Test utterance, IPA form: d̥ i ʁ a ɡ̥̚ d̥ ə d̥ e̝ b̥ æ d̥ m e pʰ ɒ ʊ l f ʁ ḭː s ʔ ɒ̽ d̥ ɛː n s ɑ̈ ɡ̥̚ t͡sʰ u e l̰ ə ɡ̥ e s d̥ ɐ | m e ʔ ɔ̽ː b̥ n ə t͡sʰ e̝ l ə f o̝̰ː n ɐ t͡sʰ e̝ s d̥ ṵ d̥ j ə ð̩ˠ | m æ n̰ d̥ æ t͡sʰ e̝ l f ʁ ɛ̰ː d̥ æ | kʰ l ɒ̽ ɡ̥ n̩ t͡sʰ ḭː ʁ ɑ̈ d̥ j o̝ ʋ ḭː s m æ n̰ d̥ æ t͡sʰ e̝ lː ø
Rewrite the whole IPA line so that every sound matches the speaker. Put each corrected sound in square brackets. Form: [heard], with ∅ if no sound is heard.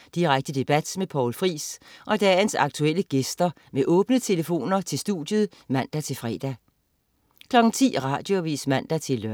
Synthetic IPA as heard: d̥ i ʁ a ɡ̥̚ d̥ ə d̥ e̝ b̥ æ d̥ m e pʰ ɒ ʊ l f ʁ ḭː s ʔ ɒ̽ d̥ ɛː n s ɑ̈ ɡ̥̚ t͡sʰ u e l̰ ə ɡ̥ e s d̥ ɐ | m e ʔ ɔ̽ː b̥ n ə t͡sʰ e̝ l ə f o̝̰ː n ɐ t͡sʰ e̝ s d̥ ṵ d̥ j ə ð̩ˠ | m æ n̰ d̥ æ t͡sʰ e̝ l f ʁ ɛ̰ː d̥ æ | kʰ l ɒ̽ ɡ̥ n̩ t͡sʰ ḭː ʁ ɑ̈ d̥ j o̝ ʋ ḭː s m æ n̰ d̥ æ t͡sʰ e̝ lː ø